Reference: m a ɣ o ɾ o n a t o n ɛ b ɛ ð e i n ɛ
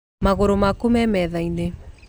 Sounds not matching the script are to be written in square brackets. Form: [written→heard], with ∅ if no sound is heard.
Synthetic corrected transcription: m a ɣ o ɾ o [n→m] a [t→k] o [n→m] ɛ [b→m] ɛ ð [e→a] i n [ɛ→e]